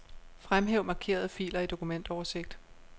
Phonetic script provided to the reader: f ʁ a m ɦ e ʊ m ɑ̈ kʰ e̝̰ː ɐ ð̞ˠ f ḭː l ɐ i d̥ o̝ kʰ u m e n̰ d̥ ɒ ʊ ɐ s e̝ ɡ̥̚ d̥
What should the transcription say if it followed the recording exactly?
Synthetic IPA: f ʁ a m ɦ e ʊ m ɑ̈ kʰ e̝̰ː ɐ ð̞ˠ f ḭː l ɐ i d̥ o̝ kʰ u m e n̰ d̥ ɒ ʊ ɐ s e̝ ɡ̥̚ d̥

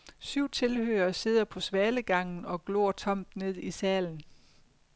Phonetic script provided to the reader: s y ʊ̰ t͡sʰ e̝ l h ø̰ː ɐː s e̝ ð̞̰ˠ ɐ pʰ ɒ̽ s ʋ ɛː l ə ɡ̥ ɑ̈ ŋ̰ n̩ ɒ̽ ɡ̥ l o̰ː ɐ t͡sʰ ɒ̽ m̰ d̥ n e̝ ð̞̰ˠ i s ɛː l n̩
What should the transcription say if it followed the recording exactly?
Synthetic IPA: s y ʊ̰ t͡sʰ e̝ l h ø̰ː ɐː s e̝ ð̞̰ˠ ɐ pʰ ɒ̽ s ʋ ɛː l ə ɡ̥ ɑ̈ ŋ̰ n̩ ɒ̽ ɡ̥ l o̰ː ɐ t͡sʰ ɒ̽ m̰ d̥ n e̝ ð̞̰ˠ i s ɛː l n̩

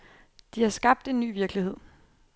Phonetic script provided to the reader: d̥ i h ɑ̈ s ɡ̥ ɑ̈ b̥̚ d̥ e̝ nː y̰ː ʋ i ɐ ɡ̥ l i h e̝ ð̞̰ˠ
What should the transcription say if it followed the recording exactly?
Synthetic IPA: d̥ i h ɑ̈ s ɡ̥ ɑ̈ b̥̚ d̥ e̝ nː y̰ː ʋ i ɐ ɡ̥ l i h e̝ ð̞̰ˠ

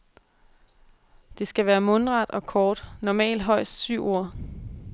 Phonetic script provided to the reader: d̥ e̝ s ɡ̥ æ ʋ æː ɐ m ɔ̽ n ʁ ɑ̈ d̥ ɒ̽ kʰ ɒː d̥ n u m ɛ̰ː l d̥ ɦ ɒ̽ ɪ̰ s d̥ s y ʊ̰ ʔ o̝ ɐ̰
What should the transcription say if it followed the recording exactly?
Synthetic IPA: d̥ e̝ s ɡ̥ æ ʋ æː ɐ m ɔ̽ n ʁ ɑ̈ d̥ ɒ̽ kʰ ɒː d̥ n ɒ m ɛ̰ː l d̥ ɦ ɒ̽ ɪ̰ s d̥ s y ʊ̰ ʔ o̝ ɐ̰

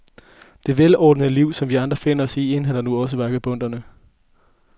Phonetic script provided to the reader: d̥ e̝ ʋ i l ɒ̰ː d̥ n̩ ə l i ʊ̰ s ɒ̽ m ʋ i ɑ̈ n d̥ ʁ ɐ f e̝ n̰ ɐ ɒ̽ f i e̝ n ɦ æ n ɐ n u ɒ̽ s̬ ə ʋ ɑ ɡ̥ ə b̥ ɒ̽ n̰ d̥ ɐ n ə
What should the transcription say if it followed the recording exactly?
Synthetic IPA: d̥ e̝ ʋ e l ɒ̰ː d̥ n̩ ə l i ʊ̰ s ɒ̽ m ʋ i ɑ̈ n d̥ ʁ ɐ f e̝ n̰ ɐ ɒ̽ s i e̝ n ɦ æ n ɐ n u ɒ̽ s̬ ə ʋ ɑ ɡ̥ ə b̥ ɔ̽ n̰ d̥ ɐ n ə

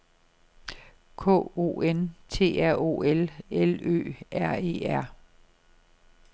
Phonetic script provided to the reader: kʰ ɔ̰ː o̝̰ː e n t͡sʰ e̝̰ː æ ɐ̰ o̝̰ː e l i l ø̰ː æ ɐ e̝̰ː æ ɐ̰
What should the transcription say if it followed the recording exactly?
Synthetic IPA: kʰ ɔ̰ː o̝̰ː e n t͡sʰ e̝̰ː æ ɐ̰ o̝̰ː e l e l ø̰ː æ ɐ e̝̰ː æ ɐ̰

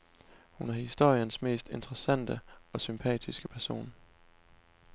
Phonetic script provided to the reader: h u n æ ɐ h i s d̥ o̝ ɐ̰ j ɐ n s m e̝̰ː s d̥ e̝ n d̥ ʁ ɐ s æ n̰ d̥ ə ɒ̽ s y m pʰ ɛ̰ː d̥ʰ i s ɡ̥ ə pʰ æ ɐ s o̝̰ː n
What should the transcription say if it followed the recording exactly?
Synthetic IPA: h u n æ ɐ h i s d̥ o̝ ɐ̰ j ə n s m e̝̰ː s d̥ e̝ n d̥ ʁ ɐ s æ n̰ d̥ ə ɒ̽ s y m pʰ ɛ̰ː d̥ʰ i s ɡ̥ ə pʰ æ ɐ s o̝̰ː n

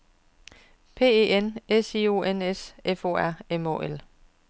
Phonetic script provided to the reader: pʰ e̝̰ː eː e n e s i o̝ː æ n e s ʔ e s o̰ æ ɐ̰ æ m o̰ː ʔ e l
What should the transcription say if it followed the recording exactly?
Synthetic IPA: pʰ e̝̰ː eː e n e s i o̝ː e n e s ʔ e f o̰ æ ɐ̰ e m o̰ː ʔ e l

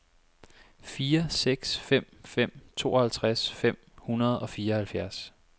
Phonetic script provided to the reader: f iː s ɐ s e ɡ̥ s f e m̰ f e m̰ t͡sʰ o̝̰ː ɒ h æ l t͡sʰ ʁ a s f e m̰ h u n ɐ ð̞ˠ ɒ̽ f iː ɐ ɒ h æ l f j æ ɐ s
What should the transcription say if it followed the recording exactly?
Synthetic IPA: f iː ɐ s e ɡ̥ s f e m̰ f e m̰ t͡sʰ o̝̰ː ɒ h æ l t͡sʰ ʁ a s f e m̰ h u n ɐ ð̞ˠ ɒ̽ f iː ɐ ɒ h æ l f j æ ɐ s

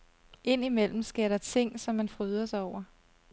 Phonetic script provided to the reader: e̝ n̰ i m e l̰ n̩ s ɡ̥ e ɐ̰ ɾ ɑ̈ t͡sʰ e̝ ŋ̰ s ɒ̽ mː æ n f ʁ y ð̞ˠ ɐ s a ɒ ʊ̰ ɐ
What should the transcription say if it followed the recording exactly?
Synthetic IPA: e̝ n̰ i m e l̰ m̩ s ɡ̥ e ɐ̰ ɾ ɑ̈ t͡sʰ e̝ ŋ̰ s ɒ̽ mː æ n f ʁ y ð̞ˠ ɐ s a ɒ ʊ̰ ɐ

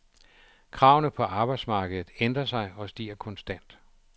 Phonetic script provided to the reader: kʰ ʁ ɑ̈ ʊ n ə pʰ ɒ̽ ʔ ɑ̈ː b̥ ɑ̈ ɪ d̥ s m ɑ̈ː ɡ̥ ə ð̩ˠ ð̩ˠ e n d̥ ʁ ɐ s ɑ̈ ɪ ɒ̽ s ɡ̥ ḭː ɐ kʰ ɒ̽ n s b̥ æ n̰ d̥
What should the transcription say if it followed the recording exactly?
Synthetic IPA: kʰ ʁ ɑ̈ ʊ n ə pʰ ɒ̽ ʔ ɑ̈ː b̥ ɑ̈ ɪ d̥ s m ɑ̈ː ɡ̥ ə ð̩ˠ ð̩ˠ e n d̥ ʁ ɐ s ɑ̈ ɪ ɒ̽ s d̥ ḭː ɐ kʰ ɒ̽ n s d̥ æ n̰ d̥

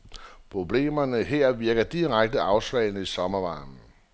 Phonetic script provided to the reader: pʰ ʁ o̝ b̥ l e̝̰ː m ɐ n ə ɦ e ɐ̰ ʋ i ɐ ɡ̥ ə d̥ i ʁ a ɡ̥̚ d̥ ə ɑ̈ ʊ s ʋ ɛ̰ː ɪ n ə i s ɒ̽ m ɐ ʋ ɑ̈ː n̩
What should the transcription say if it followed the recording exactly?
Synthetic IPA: pʰ ʁ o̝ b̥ l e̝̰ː m ɐ n ə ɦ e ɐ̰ ʋ i ɐ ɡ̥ ɐ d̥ i ʁ a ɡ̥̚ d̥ ə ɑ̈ ʊ s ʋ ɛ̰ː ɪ n ə i s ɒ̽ m ɐ ʋ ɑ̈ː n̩

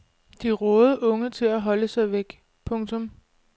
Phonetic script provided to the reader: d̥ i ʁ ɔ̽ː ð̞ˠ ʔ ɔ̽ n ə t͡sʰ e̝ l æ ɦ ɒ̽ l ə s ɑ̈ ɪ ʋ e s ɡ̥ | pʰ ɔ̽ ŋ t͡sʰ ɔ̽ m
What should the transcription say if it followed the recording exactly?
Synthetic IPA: d̥ i ʁ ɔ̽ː ð̞ˠ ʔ ɔ̽ ŋ ə t͡sʰ e̝ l æ ɦ ɒ̽ l ə s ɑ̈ ɪ ʋ e ɡ̥ | pʰ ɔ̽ ŋ t͡sʰ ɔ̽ m

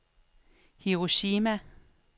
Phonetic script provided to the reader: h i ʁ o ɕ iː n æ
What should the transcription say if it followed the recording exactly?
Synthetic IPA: h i ʁ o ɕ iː m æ

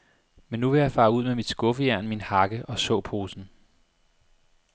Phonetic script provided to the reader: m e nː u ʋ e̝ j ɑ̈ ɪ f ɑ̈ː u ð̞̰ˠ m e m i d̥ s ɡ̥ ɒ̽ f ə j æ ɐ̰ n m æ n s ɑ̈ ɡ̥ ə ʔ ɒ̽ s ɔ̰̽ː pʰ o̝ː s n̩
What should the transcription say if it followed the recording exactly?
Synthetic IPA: m e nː u ʋ e̝ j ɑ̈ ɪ f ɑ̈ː u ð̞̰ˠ m e m i d̥ s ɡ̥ ɔ̽ f ə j æ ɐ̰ n m i n h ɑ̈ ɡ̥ ə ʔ ɒ̽ s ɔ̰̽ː pʰ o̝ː s n̩

